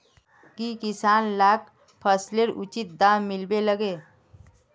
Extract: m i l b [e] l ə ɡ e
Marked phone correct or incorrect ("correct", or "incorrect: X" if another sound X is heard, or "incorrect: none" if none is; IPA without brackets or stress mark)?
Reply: correct